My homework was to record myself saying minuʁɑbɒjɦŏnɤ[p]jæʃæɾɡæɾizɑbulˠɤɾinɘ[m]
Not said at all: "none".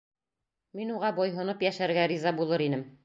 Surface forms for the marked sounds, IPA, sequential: p, m

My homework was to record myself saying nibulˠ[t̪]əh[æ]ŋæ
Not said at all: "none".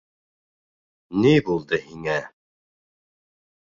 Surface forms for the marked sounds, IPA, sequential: d̪, i

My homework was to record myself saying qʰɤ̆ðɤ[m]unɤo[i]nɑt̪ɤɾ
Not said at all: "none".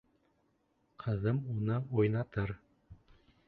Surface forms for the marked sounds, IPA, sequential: m, j

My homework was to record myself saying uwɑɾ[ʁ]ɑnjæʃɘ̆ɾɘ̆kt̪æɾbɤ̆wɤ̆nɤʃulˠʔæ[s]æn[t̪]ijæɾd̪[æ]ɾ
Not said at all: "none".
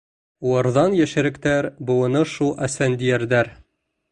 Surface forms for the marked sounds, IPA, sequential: ð, s, d̪, æ

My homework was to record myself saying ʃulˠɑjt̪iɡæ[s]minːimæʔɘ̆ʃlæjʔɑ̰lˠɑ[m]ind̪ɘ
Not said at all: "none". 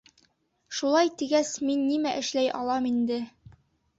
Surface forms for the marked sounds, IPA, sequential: s, m

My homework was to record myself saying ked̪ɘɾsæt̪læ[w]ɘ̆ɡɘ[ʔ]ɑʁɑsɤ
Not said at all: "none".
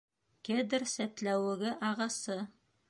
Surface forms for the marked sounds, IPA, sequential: w, ʔ

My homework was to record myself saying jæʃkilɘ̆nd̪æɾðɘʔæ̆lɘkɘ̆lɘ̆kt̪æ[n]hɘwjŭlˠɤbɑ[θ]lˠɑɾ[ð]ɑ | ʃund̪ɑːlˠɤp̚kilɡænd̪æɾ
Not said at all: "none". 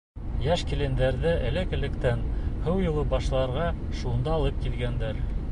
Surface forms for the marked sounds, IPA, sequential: n, ʃ, ʁ

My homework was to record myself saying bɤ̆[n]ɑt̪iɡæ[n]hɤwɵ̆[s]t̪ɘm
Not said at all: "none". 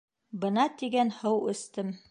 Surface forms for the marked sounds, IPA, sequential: n, n, s

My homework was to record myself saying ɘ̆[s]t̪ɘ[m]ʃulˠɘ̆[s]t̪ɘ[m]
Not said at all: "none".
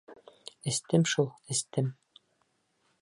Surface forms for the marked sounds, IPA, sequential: s, m, s, m

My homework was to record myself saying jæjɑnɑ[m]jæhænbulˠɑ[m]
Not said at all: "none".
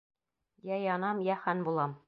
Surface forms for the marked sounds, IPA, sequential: m, m

